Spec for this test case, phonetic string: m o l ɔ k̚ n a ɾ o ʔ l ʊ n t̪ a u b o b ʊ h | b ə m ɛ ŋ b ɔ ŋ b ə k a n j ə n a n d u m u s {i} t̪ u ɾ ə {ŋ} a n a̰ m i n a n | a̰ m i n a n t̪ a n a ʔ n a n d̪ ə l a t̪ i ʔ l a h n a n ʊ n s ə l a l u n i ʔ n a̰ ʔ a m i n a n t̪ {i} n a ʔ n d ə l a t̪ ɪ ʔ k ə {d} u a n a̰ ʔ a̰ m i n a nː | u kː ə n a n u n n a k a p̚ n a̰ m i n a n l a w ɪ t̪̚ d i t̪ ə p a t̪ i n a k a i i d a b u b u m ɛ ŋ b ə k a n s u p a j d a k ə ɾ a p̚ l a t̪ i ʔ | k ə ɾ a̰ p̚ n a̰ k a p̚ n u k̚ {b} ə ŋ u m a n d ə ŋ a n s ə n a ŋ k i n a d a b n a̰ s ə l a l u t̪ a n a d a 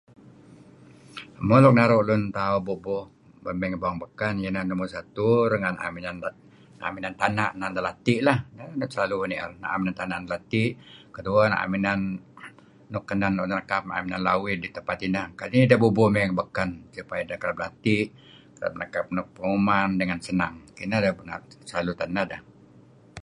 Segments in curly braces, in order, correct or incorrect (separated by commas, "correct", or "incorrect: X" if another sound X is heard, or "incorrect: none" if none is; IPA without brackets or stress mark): incorrect: a, correct, incorrect: a, correct, incorrect: p